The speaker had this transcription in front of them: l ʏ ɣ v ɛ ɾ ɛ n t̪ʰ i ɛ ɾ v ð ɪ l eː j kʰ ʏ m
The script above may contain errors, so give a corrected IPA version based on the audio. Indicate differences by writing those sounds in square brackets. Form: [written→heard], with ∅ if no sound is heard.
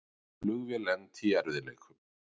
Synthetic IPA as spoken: l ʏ ɣ v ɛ [ɾ→l] ɛ n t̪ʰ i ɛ ɾ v ð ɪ l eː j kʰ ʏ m